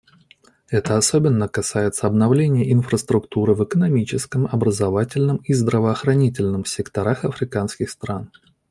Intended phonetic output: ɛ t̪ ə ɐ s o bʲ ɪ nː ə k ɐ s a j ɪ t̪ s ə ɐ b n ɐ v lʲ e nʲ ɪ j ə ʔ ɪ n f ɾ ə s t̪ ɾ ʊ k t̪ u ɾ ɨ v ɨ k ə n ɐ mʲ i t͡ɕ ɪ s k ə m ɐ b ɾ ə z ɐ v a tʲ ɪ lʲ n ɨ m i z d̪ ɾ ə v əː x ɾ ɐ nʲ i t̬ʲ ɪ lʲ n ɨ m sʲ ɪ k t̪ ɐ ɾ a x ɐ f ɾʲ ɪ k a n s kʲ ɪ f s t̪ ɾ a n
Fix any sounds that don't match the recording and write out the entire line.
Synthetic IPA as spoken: ɛ t̪ ə ɐ s o bʲ ɪ nː ə k ɐ s a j ɪ t̪ s ə ɐ b n ɐ v lʲ e nʲ ɪ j ə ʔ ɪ n f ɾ ə s t̪ ɾ ʊ k t̪ u ɾ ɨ v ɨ k ə n ɐ mʲ i t͡ɕ ɪ s k ə m ɐ b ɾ ə z ɐ v a tʲ ɪ lʲ n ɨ m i z d̪ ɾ ə v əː x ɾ ɐ nʲ i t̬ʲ ɪ lʲ n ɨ m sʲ ɪ k t̪ ɐ ɾ a x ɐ f ɾʲ ɪ k a n s kʲ ɪ x s t̪ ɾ a n